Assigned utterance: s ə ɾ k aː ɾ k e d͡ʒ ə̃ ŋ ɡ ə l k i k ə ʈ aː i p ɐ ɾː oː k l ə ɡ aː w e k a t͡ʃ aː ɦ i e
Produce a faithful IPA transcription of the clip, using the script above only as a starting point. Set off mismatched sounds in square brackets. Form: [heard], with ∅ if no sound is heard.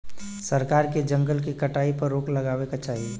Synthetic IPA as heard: s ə ɾ k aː ɾ k e d͡ʒ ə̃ ŋ ɡ ə l k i k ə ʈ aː i p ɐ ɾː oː k l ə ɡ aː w e k a t͡ʃ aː ɦ i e